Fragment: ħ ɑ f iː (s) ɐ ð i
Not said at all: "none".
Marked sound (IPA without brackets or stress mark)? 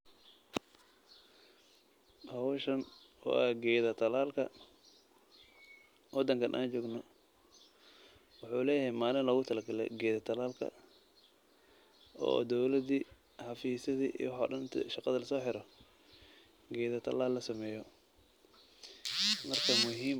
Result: s